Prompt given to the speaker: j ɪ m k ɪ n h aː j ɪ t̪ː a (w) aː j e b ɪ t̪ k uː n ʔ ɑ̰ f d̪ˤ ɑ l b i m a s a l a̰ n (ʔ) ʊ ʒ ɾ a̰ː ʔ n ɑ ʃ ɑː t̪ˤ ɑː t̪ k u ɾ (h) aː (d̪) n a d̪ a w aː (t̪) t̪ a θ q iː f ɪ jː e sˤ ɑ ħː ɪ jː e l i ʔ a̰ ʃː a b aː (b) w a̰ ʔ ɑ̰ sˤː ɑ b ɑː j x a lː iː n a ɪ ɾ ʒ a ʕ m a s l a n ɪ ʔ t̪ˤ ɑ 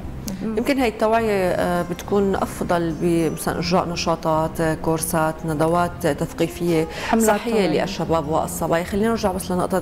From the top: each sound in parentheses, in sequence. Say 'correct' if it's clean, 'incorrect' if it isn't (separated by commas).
correct, correct, incorrect, incorrect, correct, correct